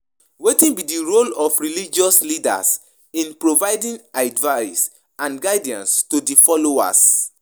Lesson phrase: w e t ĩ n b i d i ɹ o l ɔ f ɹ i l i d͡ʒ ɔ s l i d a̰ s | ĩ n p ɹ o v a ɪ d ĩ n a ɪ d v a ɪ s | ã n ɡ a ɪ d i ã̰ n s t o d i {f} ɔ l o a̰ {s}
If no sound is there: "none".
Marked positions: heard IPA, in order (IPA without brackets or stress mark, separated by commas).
f, s